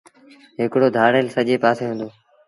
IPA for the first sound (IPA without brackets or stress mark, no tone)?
ɦ